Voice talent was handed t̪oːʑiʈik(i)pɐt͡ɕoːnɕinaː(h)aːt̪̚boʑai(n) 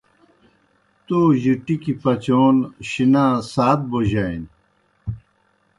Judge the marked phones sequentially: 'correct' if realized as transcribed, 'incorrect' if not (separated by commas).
correct, incorrect, correct